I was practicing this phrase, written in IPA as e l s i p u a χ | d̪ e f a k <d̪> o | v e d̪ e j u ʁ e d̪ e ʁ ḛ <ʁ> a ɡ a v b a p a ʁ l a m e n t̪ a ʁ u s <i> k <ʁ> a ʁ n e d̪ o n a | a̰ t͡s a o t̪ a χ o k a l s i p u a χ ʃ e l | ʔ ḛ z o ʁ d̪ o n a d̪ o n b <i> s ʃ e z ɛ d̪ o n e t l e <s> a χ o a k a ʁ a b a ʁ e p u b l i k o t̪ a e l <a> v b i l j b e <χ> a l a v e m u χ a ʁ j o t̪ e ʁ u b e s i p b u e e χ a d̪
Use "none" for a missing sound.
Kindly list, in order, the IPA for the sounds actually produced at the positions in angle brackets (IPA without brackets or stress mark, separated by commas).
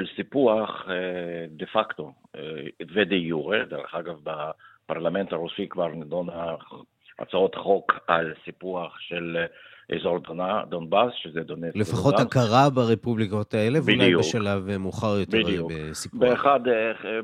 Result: t̪, χ, i, v, a, f, e, ʃ